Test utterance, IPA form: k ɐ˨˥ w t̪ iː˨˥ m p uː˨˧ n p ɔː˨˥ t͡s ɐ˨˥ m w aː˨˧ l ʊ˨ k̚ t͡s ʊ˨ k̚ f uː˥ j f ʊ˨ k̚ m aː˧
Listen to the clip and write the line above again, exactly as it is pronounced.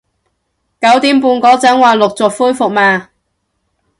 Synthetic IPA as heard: k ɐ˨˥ w t̪ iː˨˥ m p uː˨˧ n k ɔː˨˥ t͡s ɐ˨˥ ŋ w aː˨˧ l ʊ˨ k̚ t͡s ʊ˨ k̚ f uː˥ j f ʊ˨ k̚ m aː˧